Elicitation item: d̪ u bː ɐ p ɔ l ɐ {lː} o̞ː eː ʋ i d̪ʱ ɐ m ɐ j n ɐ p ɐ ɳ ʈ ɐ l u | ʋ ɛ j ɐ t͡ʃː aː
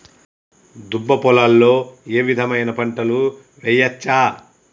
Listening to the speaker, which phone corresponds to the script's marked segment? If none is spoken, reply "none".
lː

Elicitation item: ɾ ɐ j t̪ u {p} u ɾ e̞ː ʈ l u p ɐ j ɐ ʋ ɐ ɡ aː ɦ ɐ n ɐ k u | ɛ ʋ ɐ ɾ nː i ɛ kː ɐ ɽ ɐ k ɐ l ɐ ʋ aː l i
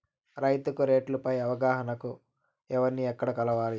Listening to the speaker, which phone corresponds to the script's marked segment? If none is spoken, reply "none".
k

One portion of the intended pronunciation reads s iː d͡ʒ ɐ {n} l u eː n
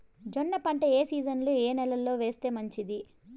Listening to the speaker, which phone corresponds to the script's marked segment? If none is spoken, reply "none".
n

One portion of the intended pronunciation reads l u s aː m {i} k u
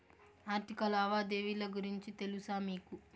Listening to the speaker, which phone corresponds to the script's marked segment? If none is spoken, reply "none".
iː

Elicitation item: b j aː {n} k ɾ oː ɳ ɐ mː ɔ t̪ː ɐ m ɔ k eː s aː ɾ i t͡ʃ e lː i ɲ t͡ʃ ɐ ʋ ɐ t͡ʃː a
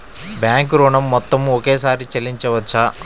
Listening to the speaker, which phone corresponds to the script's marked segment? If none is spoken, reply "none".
ŋ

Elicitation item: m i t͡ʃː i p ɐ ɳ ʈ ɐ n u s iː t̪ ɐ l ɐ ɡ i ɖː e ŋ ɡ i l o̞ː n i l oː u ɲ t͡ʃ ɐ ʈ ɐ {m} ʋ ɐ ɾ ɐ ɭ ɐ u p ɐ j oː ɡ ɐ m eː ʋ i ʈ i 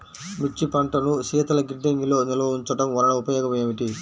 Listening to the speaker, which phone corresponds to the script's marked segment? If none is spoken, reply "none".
m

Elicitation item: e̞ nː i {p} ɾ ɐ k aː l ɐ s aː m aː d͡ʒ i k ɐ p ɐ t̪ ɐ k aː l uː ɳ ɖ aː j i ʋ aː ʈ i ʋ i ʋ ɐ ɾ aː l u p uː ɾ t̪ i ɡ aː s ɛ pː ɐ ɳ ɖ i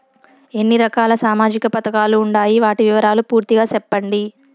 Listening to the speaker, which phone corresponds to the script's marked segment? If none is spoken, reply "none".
none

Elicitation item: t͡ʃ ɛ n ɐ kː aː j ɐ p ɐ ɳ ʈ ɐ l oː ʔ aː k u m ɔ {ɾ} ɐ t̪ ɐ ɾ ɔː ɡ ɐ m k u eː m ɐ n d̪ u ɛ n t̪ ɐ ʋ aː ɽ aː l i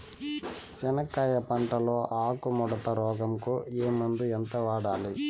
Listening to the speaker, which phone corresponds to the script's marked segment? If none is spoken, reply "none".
ɽ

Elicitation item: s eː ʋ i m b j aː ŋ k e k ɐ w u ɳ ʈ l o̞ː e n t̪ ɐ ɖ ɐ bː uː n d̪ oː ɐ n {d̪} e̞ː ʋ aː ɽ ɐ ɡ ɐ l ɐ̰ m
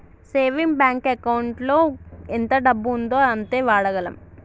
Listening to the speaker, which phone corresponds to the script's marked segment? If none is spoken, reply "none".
t̪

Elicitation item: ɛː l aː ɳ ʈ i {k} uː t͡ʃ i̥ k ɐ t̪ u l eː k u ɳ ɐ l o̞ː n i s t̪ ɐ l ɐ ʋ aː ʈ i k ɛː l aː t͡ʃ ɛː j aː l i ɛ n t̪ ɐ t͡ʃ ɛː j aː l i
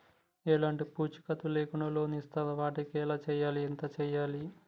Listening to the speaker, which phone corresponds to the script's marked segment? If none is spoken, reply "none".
p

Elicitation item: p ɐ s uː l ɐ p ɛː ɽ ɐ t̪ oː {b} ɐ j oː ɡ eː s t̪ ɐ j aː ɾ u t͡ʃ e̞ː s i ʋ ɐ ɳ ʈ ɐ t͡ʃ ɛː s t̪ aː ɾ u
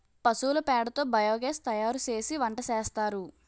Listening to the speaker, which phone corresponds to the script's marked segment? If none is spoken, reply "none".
b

